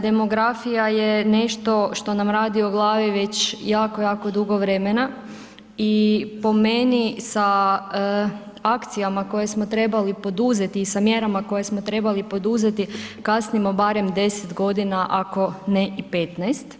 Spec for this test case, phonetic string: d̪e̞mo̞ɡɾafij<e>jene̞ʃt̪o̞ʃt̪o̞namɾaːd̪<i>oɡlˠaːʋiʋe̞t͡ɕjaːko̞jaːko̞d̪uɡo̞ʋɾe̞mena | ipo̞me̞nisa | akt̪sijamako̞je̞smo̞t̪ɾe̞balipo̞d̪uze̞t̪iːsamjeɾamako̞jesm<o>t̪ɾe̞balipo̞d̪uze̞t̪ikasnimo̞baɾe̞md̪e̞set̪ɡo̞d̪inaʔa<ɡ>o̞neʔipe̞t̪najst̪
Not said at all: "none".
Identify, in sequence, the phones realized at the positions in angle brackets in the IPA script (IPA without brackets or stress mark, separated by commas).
a, i, o, k